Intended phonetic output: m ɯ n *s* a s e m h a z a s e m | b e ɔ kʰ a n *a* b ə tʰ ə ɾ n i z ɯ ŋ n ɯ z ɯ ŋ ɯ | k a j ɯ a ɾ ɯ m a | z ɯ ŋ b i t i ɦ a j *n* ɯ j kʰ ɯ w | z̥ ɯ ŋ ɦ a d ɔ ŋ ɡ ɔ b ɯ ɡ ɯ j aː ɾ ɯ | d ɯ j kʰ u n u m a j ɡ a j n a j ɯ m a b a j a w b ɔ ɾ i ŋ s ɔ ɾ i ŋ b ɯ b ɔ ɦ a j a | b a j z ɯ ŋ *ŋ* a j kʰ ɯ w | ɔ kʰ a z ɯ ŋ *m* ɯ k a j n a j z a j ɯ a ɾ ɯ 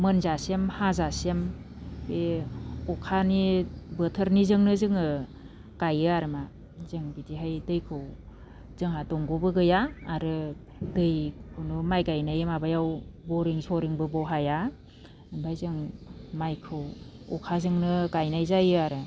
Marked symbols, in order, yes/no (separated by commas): no, no, no, no, no